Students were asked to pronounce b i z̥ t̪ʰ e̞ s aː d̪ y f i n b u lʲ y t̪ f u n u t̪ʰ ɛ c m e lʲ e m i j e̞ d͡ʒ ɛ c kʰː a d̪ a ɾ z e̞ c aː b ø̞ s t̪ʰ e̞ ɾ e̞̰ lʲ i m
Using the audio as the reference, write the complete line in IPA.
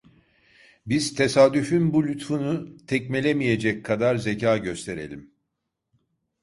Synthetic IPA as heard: b i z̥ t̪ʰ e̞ s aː d̪ y f y n b u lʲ y t̪ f u n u t̪ʰ ɛ c m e lʲ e m i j e̞ d͡ʒ ɛ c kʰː a d̪ a ɾ z e̞ c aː ɟ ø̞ s t̪ʰ e̞ ɾ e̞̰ lʲ i m